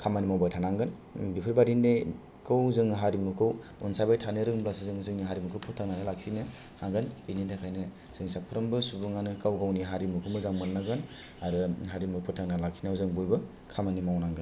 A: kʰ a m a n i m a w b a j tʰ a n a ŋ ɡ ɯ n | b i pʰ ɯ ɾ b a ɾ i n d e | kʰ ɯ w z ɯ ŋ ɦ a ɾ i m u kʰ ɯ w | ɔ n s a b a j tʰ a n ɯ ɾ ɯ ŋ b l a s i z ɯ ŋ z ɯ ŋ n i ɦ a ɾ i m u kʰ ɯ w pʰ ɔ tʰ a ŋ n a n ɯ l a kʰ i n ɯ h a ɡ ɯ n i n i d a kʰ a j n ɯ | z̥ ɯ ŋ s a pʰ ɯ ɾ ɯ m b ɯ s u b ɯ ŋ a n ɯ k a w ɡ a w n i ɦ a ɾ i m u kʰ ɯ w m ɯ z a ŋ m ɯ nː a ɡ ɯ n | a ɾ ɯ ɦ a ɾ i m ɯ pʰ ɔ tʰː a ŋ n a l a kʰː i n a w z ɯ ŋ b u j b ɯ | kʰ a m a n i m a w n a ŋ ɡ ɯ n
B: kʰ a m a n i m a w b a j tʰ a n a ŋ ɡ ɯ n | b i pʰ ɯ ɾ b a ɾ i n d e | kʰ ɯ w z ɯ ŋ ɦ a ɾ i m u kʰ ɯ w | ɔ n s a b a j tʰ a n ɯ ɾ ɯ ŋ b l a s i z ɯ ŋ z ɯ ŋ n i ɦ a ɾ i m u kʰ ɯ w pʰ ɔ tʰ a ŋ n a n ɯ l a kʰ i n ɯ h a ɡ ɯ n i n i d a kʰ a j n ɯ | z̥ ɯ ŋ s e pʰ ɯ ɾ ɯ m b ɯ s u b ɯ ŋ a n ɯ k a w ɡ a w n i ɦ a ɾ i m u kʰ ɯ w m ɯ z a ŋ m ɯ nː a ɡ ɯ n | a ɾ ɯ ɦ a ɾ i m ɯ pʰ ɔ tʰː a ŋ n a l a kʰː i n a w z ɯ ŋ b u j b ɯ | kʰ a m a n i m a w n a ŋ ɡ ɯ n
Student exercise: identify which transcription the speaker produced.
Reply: A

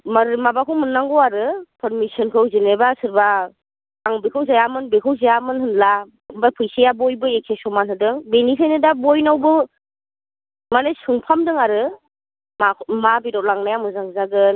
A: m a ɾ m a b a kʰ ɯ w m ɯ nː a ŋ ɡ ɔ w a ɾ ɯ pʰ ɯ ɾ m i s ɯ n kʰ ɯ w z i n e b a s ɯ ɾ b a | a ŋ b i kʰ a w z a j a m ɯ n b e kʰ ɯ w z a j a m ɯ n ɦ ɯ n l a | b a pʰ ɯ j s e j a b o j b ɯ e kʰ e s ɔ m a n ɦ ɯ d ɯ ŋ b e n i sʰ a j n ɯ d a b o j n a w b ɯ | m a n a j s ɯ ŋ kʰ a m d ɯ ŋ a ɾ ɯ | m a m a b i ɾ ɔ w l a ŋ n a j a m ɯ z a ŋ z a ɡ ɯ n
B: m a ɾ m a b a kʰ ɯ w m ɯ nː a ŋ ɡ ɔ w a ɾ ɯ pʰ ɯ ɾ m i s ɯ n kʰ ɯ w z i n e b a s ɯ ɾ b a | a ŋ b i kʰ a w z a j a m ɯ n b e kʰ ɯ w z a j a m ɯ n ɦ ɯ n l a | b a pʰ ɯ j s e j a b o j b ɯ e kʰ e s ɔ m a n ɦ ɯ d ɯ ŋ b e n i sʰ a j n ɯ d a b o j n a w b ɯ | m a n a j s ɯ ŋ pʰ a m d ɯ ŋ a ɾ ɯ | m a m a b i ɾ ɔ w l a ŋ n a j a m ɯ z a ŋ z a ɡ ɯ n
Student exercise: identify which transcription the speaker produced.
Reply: B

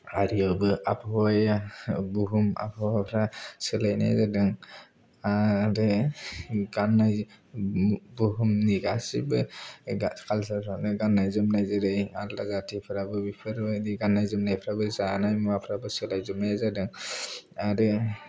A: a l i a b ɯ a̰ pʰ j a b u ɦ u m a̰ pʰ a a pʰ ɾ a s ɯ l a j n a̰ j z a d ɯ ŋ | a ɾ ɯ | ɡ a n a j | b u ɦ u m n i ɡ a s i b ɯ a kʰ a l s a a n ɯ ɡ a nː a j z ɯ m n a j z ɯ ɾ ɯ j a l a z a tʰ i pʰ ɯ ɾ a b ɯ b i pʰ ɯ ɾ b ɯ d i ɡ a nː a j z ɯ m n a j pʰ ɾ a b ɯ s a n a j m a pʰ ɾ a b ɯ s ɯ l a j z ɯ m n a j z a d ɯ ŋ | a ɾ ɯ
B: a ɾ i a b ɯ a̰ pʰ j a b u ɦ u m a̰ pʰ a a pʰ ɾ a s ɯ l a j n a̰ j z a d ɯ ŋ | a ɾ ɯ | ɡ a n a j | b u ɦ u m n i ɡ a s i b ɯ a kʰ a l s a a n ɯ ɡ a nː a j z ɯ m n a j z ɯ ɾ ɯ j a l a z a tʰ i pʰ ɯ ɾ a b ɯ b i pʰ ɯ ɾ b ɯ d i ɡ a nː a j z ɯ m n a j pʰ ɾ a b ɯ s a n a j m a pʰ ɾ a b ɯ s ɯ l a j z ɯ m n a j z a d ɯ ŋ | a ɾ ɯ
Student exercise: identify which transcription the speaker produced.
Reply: B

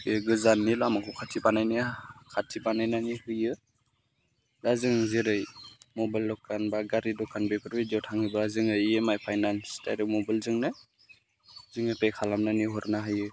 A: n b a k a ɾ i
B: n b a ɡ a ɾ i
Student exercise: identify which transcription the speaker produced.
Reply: B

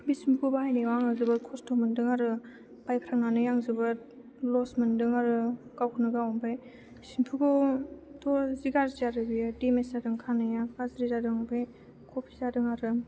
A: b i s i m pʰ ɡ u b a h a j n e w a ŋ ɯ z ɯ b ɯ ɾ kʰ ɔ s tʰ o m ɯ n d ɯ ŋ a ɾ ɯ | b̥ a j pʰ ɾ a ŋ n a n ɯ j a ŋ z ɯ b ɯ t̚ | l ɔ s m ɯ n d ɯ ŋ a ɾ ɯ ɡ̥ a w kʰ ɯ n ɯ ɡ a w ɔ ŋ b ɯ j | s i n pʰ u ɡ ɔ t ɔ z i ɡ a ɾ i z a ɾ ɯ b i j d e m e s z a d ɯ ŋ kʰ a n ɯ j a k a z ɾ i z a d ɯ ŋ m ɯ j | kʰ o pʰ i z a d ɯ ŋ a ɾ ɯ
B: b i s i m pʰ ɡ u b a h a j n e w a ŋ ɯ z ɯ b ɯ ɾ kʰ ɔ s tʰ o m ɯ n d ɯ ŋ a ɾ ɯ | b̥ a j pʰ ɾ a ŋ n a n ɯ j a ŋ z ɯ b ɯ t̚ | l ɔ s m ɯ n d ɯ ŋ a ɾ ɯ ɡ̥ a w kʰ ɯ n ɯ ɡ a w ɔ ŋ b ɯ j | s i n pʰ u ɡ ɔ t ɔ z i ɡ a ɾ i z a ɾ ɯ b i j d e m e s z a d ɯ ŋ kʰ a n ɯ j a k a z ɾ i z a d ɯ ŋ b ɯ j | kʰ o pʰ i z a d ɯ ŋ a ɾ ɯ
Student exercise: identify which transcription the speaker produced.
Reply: B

